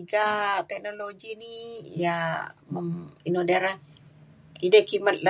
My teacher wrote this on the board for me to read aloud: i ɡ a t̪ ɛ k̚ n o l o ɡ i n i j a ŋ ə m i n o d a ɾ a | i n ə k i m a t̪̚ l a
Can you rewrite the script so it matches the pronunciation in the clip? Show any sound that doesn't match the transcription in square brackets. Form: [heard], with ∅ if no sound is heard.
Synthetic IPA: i ɡ a t̪ ɛ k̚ n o l o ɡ i n i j a [m] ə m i n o d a ɾ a | i [d] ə k i m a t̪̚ l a